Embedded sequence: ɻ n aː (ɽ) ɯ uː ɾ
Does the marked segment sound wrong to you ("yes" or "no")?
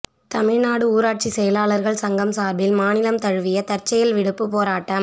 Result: no